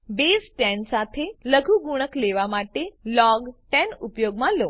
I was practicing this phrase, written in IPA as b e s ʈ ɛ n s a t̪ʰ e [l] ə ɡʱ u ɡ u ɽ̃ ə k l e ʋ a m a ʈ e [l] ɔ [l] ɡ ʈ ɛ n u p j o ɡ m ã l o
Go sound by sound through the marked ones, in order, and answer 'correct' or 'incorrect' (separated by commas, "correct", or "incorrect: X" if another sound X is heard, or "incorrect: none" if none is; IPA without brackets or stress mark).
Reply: correct, correct, incorrect: none